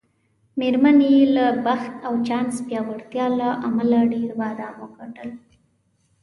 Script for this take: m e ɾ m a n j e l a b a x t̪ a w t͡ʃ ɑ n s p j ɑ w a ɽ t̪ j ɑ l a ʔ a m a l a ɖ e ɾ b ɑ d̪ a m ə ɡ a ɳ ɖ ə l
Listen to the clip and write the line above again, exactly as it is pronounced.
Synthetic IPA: m e ɾ m a n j e l a b a x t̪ a w t͡ʃ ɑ n s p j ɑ w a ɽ t̪ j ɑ l a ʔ a m a l a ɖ e ɾ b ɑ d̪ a m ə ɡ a ɳ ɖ ə l